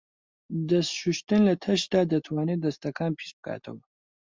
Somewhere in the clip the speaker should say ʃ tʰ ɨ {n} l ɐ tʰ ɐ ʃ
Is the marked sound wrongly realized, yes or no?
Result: no